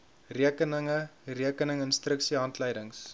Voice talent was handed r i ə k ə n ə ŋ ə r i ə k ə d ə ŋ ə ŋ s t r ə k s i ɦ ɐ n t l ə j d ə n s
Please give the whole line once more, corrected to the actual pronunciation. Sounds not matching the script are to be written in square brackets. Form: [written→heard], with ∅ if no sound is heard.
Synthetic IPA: r i ə k ə n ə ŋ ə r i ə k ə [d→n] ə ŋ ə [ŋ→n] s t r ə k s i ɦ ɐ n t l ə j d ə [n→ŋ] s